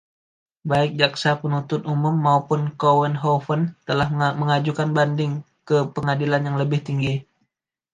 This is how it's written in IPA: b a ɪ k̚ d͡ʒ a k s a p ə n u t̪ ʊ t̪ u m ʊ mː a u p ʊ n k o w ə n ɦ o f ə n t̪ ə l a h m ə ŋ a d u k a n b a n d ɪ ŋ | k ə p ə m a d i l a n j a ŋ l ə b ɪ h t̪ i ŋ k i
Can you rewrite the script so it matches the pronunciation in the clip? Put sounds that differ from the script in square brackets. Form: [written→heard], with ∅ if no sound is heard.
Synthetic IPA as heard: b a ɪ k̚ d͡ʒ a k s a p ə n u t̪ ʊ t̪ u m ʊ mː a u p ʊ n k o w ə n ɦ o f ə n t̪ ə l a h m ə ŋ a [d→d͡ʒ] u k a n b a n d ɪ ŋ | k ə p ə [m→ŋ] a d i l a n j a ŋ l ə b ɪ h t̪ i ŋ [k→ɡ] i